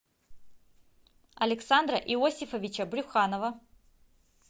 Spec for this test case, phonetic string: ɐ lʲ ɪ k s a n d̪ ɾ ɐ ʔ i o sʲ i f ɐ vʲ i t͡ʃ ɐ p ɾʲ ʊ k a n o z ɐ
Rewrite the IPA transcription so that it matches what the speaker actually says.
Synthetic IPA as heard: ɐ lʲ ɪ k s a n d̪ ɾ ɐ ʔ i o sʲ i f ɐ vʲ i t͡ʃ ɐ b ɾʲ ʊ x a n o v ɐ